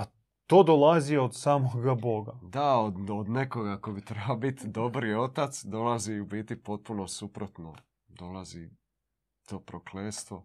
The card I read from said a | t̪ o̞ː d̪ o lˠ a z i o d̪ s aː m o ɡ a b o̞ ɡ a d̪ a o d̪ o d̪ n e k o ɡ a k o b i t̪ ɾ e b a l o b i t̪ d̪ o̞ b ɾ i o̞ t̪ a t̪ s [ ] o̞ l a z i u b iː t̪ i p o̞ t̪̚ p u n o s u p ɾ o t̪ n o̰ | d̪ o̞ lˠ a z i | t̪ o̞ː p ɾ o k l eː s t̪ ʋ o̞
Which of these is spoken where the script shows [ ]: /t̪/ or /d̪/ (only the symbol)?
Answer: d̪